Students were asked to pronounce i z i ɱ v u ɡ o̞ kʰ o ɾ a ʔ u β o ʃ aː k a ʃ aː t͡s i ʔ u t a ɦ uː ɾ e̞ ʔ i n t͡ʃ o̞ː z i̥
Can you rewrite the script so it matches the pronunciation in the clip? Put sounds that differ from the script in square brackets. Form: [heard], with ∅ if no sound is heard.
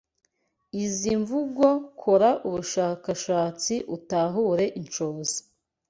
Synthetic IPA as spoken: i z i ɱ v u ɡ o̞ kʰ o ɾ a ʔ u β [u] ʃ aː k a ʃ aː t͡s i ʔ u t a ɦ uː ɾ e̞ ʔ i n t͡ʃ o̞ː z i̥